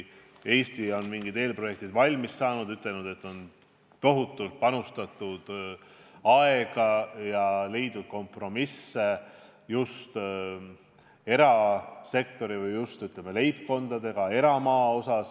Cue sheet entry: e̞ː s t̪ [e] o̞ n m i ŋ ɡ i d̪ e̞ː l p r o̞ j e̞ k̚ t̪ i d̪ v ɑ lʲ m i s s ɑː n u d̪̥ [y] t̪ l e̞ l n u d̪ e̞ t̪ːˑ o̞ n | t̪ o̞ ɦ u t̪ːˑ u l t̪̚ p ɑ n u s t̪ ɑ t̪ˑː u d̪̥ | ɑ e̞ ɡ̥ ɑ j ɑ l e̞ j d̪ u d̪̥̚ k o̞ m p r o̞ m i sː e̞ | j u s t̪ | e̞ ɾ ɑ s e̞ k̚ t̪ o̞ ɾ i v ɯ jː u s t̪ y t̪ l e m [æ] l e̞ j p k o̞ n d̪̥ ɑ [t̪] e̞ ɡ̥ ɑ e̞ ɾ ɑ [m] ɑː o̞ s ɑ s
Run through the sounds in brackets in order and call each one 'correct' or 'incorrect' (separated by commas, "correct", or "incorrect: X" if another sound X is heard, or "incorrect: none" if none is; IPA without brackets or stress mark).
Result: incorrect: i, correct, incorrect: e, incorrect: d̪, correct